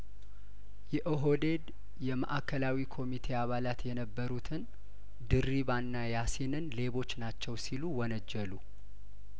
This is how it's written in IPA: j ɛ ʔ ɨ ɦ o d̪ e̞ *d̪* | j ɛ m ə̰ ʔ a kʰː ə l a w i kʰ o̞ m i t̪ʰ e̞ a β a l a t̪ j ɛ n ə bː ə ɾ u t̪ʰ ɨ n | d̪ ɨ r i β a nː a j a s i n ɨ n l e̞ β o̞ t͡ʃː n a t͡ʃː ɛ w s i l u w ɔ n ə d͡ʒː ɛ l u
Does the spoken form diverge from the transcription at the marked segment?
no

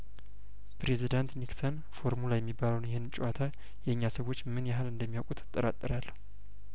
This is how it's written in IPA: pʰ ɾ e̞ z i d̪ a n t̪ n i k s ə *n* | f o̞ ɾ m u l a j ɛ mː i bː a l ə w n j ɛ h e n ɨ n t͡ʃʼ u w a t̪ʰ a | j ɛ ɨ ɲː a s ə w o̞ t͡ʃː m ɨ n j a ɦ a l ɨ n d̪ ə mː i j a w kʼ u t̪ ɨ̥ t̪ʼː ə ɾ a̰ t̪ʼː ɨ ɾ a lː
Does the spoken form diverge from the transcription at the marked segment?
no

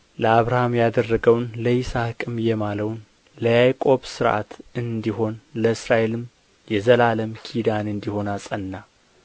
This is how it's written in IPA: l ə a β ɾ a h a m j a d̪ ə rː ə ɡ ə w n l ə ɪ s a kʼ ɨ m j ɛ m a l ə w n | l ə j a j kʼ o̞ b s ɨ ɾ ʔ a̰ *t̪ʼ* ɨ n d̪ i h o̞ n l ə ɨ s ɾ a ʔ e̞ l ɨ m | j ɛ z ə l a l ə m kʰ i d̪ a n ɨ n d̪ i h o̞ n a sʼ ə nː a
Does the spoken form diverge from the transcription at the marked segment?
yes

